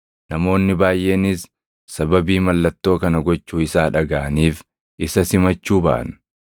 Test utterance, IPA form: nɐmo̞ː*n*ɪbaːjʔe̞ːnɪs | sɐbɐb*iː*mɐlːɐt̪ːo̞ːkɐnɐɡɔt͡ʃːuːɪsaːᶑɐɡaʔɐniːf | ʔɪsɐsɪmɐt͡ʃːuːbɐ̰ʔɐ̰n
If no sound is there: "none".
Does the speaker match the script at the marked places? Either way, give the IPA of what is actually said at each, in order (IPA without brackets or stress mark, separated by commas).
nː, iː